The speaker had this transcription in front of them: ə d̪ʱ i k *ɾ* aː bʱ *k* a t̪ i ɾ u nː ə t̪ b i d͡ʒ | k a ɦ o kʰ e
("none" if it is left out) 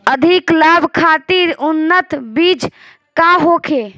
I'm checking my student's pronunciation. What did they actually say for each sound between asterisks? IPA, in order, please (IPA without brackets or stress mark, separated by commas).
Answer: l, kʰ